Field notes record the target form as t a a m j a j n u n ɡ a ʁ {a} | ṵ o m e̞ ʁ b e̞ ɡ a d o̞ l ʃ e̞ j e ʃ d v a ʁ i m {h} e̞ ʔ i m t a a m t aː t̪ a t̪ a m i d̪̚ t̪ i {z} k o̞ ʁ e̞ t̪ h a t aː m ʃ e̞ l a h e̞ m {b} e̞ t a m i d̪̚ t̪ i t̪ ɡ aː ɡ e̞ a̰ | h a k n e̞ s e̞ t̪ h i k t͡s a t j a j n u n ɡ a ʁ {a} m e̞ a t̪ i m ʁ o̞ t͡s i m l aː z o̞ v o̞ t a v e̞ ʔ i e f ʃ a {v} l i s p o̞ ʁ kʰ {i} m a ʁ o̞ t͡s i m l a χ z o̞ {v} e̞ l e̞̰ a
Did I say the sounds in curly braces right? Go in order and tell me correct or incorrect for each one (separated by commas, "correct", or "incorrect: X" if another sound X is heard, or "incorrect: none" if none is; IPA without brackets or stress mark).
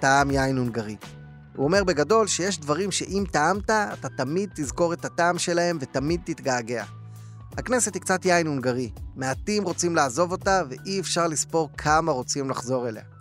incorrect: i, incorrect: ʃ, correct, incorrect: v, incorrect: i, incorrect: ʁ, incorrect: a, incorrect: ʁ